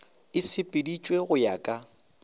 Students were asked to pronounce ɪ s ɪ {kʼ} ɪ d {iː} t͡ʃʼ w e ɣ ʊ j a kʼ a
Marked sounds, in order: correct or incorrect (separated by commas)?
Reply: incorrect, incorrect